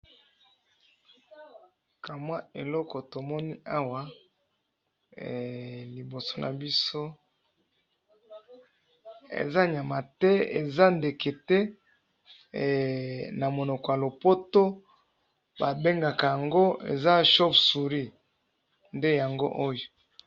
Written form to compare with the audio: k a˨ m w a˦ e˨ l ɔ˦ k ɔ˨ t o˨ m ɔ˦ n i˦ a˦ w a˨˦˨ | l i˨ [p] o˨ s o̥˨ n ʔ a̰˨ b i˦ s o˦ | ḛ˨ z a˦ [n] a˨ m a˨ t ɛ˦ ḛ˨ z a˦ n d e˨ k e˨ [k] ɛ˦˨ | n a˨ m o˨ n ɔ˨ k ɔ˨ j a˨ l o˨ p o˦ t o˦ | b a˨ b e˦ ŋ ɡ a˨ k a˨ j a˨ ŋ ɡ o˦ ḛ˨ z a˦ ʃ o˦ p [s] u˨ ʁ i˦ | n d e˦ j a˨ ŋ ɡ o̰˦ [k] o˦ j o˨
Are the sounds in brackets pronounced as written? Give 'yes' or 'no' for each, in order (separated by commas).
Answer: no, no, no, yes, no